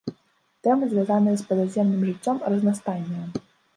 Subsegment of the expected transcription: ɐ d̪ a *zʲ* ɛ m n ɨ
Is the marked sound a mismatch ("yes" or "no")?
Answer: no